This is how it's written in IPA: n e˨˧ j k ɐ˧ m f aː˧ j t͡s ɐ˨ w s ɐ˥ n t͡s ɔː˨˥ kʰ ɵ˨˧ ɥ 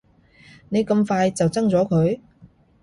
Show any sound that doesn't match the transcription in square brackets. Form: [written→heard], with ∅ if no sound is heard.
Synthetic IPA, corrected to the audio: n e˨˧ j k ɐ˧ m f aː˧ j t͡s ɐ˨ w [s→t͡s] ɐ˥ [n→ŋ] t͡s ɔː˨˥ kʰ ɵ˨˧ ɥ